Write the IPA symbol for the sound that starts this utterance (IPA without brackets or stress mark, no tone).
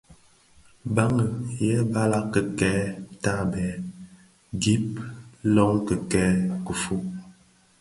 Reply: b